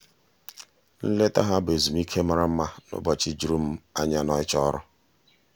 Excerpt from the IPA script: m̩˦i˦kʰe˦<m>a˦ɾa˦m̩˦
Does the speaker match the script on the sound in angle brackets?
yes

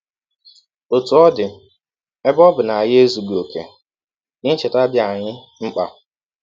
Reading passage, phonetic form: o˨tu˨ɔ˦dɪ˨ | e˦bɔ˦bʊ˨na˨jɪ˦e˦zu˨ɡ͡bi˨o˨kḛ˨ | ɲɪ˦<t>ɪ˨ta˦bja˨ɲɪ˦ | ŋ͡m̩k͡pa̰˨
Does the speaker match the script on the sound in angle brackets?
no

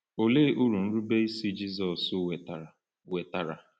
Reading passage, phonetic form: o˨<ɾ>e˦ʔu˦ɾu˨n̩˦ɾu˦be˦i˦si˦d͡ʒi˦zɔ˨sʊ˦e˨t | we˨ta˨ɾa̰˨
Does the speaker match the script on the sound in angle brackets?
no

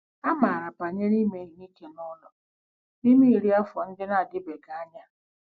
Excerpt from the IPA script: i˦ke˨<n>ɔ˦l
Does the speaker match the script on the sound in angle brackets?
yes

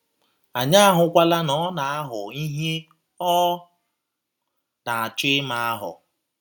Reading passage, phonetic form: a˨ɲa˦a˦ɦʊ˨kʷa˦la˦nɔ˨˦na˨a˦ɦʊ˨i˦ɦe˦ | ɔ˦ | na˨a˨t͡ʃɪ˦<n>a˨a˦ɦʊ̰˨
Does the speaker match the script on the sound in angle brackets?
no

